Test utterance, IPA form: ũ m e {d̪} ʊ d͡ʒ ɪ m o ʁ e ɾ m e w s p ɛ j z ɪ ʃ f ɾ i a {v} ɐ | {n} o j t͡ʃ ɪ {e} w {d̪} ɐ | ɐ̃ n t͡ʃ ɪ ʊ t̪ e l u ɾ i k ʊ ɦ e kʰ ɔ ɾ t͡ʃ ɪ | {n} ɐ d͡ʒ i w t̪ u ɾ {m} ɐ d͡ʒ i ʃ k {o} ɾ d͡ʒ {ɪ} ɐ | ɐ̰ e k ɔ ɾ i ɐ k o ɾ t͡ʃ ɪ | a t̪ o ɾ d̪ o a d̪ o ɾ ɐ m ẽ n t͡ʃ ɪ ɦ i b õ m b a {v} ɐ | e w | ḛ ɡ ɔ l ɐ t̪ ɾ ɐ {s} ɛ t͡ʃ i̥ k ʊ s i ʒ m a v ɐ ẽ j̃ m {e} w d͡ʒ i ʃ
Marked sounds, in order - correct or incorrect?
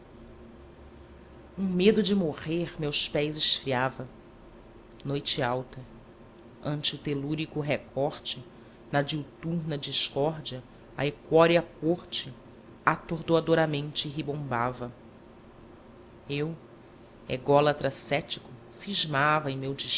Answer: correct, correct, correct, incorrect: a, incorrect: t̪, correct, incorrect: n, incorrect: ɔ, incorrect: i, correct, correct, correct

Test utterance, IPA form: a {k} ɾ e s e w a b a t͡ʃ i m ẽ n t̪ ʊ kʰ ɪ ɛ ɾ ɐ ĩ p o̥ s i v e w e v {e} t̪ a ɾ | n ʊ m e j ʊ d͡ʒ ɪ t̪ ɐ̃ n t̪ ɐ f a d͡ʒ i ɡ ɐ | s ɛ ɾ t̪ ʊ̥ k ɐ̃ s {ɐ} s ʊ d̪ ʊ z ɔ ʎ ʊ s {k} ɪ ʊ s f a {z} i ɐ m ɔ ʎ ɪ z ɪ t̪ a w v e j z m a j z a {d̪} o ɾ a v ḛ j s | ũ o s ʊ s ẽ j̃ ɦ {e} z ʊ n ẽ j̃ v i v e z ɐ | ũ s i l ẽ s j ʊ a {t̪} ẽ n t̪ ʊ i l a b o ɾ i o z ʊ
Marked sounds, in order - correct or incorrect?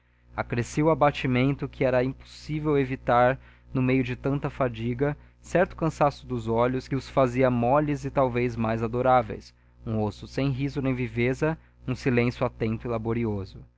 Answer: correct, incorrect: i, incorrect: a, correct, correct, correct, incorrect: i, correct

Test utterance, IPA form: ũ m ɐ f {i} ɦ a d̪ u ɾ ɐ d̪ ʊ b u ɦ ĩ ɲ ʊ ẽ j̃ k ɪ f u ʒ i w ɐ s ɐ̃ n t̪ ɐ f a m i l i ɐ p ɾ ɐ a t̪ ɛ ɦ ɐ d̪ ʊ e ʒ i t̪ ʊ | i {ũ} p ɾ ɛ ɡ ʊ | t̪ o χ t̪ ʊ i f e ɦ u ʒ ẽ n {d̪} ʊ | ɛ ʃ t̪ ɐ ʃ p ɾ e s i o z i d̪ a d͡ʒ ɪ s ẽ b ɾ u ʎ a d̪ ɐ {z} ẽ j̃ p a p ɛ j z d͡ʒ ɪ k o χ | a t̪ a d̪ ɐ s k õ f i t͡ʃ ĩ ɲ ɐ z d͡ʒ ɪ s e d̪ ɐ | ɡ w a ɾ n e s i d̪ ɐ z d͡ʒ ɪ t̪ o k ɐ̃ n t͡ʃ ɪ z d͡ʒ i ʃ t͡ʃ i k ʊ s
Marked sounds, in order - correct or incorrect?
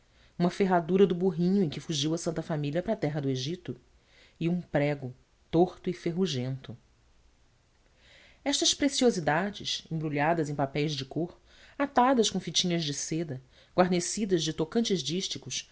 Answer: incorrect: e, correct, incorrect: t̪, correct

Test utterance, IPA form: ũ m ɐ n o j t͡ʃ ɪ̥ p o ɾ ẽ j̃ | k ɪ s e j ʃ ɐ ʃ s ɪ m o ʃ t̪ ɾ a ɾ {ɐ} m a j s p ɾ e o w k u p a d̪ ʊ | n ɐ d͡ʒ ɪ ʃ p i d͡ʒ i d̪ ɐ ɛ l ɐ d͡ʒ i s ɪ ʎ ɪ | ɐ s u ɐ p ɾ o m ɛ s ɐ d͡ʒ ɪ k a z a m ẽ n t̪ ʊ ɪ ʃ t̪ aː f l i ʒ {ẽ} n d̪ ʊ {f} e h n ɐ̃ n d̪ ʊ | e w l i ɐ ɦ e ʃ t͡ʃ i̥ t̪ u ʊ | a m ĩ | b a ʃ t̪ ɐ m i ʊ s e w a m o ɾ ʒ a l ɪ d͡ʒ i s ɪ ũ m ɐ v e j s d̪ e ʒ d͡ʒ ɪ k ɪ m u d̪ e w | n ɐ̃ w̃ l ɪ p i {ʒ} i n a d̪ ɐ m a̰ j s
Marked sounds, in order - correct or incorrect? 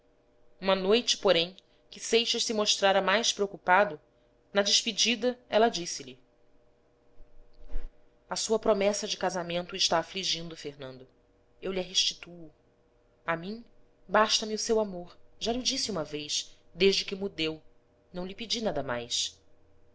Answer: correct, incorrect: ĩ, correct, incorrect: d͡ʒ

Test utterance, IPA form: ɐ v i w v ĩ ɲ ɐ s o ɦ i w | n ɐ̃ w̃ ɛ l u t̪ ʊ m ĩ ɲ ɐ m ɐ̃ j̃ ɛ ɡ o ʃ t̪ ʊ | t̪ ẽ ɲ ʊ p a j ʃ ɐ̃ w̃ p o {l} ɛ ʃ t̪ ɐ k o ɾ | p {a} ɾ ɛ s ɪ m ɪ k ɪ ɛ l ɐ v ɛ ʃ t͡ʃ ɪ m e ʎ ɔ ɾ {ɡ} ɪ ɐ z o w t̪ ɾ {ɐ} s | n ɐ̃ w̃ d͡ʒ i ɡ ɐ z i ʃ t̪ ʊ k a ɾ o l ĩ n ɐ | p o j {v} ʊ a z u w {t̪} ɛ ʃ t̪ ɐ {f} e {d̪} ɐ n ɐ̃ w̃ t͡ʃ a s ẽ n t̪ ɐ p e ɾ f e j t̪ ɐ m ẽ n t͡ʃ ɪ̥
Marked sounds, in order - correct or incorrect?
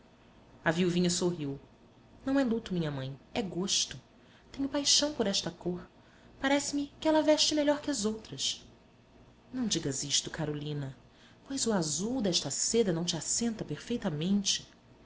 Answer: incorrect: ɾ, correct, incorrect: k, correct, incorrect: z, incorrect: d̪, incorrect: s, correct

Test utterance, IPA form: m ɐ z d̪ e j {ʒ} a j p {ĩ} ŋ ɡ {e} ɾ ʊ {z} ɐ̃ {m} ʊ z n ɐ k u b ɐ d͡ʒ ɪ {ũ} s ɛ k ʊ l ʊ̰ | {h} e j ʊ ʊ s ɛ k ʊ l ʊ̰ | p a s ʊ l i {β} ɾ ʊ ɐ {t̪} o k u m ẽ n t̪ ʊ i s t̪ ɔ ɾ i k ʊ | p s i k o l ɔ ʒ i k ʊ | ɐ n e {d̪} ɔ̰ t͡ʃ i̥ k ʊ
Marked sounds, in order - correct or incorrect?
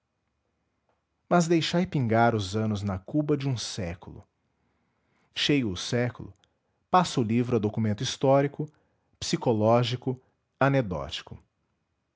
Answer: incorrect: ʃ, correct, incorrect: a, correct, incorrect: n, correct, incorrect: ʃ, incorrect: v, incorrect: d̪, correct

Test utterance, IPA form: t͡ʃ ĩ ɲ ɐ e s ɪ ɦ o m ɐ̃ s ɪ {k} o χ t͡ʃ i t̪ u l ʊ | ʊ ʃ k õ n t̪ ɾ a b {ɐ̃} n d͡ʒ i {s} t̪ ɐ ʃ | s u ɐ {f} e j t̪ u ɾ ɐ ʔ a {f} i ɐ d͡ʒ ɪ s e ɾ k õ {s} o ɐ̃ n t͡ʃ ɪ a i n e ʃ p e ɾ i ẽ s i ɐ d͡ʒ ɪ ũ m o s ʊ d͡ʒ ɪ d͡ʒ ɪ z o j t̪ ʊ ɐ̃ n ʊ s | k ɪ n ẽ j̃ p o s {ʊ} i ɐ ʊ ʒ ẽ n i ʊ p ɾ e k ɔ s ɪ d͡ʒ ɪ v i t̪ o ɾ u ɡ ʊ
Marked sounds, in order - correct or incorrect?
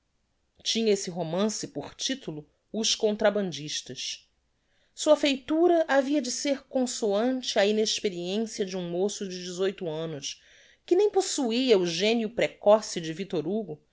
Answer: incorrect: p, correct, incorrect: ʃ, correct, incorrect: v, correct, incorrect: u

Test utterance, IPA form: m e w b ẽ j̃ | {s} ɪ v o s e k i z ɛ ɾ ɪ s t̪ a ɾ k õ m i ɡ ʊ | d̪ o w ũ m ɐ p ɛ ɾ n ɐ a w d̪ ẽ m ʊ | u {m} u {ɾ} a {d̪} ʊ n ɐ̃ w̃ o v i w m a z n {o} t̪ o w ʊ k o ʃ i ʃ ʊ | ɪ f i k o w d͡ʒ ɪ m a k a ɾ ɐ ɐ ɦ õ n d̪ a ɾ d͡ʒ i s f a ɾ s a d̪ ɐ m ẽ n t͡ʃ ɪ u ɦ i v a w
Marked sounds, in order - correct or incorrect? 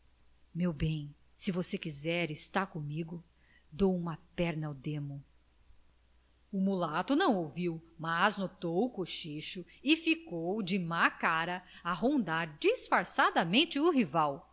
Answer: correct, correct, incorrect: l, incorrect: t̪, correct

